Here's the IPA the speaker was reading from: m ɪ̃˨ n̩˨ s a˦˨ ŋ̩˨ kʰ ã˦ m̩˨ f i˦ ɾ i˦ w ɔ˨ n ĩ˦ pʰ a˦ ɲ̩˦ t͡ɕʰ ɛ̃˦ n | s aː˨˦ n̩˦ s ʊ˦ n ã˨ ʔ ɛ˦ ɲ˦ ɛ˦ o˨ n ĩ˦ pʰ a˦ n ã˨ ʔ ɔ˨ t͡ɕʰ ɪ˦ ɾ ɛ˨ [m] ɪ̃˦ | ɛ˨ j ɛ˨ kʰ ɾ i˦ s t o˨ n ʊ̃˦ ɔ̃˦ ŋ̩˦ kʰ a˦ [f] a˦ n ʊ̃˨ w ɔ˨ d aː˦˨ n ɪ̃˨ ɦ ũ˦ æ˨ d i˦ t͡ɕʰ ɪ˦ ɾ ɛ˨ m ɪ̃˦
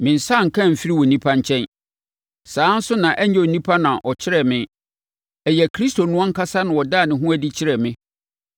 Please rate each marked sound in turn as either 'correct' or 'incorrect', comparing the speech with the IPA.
correct, incorrect: s

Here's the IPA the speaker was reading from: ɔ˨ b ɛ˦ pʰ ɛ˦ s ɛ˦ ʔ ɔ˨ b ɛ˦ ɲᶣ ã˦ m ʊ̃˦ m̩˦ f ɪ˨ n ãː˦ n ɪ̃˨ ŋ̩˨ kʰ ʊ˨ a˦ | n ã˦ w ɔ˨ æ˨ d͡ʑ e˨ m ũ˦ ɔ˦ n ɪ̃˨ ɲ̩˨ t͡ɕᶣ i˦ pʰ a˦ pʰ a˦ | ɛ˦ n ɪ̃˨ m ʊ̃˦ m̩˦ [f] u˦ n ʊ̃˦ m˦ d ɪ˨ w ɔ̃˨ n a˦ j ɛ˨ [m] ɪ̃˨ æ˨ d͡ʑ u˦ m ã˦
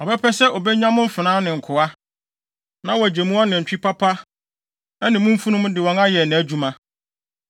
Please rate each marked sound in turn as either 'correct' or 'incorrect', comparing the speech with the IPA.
correct, incorrect: n

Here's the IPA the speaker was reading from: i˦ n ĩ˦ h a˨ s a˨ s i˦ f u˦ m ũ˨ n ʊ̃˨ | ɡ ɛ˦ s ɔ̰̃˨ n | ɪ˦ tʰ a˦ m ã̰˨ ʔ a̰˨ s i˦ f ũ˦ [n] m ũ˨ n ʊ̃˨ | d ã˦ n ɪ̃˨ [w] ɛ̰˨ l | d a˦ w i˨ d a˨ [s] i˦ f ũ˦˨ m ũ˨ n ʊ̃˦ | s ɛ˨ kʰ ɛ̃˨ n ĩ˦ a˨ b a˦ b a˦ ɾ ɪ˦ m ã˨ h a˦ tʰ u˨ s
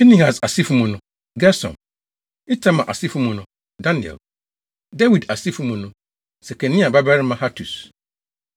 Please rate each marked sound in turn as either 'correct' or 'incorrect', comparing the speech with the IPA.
incorrect: none, incorrect: none, correct

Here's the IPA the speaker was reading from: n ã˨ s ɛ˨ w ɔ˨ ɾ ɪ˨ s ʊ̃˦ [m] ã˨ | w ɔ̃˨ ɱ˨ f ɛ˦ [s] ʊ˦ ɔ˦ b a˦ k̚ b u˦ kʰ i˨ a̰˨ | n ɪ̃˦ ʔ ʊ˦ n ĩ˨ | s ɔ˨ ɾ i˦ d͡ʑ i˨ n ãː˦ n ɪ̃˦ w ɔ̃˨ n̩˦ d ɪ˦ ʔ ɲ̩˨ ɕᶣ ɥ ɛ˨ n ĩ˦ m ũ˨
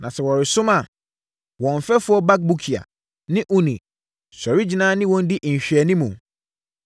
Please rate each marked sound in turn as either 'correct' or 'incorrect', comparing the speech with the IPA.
correct, incorrect: f

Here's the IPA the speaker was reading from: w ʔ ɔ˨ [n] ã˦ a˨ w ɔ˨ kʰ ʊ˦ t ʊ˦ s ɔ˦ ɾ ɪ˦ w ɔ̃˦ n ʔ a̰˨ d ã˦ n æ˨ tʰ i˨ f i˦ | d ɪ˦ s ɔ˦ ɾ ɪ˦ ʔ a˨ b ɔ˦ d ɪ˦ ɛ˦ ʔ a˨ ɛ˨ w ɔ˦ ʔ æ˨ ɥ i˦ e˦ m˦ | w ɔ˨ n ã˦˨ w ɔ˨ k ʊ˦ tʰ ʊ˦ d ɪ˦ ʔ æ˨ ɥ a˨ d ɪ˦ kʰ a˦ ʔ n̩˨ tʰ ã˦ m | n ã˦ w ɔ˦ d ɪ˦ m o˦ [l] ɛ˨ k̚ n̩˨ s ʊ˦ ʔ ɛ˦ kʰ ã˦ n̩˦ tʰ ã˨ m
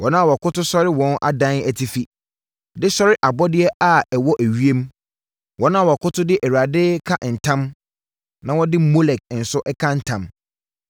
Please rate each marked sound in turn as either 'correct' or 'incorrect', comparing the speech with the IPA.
correct, correct

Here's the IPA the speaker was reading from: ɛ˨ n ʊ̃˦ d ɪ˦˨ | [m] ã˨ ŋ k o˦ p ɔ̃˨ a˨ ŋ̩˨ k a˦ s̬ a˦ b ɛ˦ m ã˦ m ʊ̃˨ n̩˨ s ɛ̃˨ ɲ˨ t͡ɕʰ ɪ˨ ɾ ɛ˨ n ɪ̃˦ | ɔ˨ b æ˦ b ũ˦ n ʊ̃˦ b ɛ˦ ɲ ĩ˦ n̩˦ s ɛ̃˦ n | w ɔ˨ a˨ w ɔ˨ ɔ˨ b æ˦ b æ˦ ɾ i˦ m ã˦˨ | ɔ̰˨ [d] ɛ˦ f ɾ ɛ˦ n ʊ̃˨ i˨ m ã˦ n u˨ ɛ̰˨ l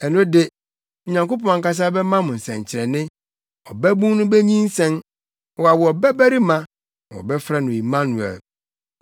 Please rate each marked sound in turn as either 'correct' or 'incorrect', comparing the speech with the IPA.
incorrect: ɲ, incorrect: b

